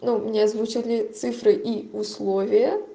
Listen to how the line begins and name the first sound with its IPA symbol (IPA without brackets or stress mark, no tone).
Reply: n